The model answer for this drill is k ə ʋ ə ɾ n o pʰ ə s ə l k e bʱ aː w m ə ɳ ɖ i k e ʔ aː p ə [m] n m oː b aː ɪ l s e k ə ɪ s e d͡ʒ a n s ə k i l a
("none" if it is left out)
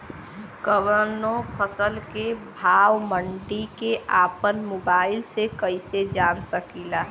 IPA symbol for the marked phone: none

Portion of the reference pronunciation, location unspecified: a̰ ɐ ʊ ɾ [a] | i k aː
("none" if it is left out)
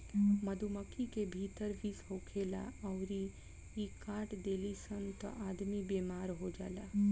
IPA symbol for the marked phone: i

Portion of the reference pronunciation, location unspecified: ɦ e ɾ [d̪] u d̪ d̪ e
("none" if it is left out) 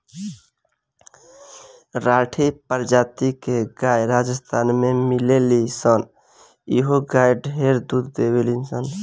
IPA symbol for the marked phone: d̪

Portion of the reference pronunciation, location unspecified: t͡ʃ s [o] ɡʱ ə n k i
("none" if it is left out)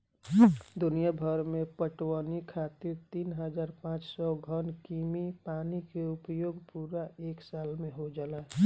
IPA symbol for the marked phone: ɔ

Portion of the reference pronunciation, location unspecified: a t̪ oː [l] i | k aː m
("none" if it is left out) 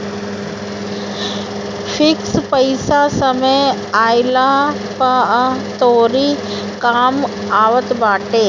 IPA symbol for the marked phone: ɾ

